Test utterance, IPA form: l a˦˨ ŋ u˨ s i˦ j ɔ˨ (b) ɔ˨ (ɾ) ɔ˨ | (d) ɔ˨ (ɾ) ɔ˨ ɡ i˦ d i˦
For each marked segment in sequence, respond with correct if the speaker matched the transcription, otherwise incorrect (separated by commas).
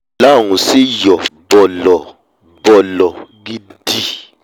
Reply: correct, incorrect, incorrect, incorrect